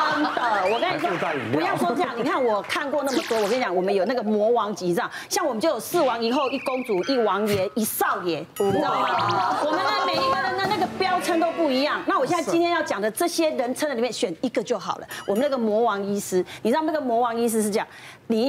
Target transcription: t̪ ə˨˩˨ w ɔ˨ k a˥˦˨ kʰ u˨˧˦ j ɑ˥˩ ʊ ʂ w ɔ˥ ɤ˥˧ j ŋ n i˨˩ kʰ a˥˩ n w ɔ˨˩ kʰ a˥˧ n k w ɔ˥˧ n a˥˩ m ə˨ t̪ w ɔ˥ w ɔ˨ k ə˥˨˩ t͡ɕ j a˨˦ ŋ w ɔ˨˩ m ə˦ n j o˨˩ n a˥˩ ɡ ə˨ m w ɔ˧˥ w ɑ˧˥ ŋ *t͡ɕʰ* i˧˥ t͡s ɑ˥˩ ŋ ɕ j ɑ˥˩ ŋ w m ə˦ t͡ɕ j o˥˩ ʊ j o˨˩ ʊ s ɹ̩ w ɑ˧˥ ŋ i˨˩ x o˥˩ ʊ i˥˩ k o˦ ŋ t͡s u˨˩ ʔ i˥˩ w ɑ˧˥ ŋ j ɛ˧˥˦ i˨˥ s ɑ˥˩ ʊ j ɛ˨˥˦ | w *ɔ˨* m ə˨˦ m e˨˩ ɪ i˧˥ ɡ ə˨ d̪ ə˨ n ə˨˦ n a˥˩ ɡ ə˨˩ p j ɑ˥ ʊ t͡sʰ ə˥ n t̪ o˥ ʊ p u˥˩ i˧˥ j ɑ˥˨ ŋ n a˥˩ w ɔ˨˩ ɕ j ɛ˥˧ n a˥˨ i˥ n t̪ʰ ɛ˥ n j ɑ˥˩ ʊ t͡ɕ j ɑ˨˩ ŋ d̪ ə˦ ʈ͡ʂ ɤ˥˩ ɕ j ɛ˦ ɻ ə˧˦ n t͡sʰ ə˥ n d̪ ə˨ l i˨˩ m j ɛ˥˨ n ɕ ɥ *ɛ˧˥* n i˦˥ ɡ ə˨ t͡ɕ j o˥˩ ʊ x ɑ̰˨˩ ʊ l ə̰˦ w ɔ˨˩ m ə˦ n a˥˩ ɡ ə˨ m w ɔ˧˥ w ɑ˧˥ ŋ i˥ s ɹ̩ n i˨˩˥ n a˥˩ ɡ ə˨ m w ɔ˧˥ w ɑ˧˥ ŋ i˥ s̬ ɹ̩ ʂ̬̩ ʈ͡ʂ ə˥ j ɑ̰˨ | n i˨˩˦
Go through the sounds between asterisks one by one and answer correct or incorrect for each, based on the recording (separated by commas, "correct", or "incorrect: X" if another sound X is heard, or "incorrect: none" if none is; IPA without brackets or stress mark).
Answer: incorrect: t͡ɕ, correct, incorrect: ɛ˨˩